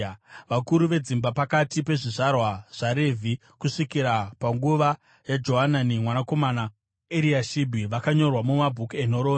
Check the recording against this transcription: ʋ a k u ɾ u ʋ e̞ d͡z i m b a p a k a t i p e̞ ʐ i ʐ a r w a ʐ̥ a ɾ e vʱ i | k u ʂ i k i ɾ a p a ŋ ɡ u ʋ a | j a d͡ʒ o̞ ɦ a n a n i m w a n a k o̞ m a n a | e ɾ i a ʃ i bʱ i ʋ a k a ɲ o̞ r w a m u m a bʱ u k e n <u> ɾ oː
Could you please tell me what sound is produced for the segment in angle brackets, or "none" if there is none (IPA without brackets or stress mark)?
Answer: o